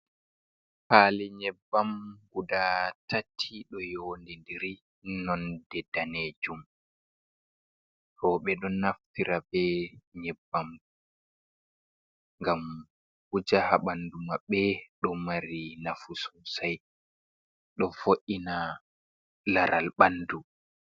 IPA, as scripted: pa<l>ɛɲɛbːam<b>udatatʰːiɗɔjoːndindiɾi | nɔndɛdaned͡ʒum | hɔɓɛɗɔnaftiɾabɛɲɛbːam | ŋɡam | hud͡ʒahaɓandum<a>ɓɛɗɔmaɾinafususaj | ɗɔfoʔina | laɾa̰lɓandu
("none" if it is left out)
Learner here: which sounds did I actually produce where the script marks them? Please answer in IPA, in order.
l, ɡ, a

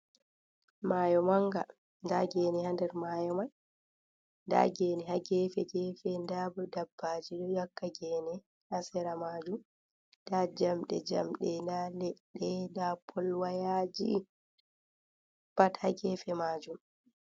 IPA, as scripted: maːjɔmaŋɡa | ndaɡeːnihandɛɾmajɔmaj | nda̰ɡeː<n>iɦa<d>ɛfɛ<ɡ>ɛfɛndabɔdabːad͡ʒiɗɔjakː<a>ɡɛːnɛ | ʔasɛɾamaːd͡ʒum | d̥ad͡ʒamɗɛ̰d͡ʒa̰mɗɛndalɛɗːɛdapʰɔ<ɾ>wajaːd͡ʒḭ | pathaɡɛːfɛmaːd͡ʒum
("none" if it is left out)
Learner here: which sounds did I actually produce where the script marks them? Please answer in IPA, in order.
n, ɡ, ɡ, a, l

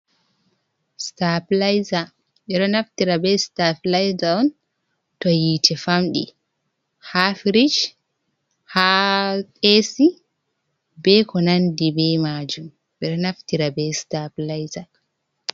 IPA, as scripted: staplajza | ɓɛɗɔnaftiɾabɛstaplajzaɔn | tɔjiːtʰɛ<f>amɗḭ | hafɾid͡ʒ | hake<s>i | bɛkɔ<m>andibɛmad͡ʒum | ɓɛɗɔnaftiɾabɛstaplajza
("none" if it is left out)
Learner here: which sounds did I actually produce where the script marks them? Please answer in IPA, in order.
f, s, n

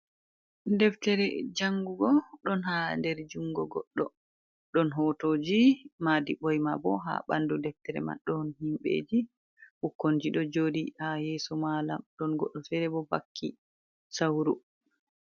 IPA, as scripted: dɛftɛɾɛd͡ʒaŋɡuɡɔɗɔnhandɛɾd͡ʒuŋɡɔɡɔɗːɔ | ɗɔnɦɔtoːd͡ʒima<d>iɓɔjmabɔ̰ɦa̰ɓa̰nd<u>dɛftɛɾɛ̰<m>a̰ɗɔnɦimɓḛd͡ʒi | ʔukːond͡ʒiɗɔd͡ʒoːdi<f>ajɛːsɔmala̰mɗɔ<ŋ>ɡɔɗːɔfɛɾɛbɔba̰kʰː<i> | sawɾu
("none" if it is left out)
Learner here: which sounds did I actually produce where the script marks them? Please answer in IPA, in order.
d, u, m, h, n, i

